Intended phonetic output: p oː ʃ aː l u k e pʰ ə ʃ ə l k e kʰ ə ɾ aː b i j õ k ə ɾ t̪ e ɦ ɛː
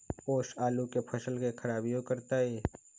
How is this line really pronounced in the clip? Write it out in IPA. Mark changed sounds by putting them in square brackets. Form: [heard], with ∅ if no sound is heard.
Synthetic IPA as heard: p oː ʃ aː l u k e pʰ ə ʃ ə l k e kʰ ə ɾ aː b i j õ k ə ɾ t̪ [a] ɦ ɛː